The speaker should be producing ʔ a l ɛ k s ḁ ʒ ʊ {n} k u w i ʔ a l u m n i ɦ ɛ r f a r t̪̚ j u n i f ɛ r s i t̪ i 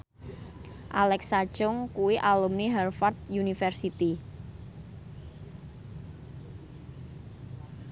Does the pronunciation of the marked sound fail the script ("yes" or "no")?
yes